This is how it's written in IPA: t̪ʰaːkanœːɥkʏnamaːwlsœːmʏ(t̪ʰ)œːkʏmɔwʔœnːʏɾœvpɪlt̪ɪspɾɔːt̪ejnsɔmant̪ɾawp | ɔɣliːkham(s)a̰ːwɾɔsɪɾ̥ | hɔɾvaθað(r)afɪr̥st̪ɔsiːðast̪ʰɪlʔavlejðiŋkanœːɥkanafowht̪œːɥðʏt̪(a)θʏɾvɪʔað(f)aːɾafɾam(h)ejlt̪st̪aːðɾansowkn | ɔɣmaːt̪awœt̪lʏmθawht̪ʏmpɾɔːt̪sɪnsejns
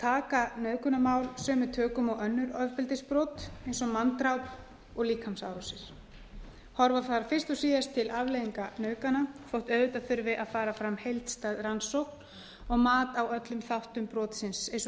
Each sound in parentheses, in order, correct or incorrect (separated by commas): correct, correct, incorrect, correct, correct, correct